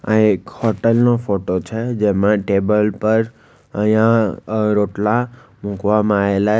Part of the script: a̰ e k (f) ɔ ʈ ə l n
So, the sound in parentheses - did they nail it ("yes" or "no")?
no